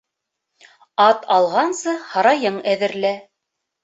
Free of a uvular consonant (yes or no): no